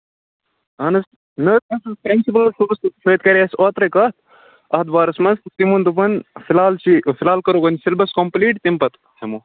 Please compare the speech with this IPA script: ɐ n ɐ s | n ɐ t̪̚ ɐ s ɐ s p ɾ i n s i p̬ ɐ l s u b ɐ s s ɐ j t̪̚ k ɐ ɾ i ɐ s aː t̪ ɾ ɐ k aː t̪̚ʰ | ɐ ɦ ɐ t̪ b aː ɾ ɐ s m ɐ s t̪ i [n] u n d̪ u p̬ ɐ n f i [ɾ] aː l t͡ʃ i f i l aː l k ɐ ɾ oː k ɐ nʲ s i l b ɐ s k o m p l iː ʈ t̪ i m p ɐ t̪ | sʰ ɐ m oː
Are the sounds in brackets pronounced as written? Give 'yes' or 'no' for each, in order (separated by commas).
no, no